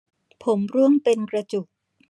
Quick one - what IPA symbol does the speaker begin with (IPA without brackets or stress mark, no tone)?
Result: pʰ